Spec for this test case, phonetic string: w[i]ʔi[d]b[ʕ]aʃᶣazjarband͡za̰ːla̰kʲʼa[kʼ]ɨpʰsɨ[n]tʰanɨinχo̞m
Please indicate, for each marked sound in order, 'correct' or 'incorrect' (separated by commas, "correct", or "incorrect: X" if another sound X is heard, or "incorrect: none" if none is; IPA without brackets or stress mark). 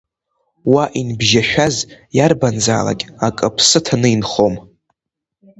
incorrect: a, incorrect: n, incorrect: ʒ, correct, incorrect: none